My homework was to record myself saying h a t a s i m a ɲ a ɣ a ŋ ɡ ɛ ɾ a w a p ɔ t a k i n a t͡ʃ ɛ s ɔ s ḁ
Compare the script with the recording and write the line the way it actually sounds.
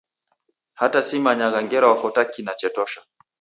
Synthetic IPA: h a t a s i m a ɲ a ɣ a ŋ ɡ ɛ ɾ a w a k ɔ t a k i n a t͡ʃ ɛ t ɔ ʃ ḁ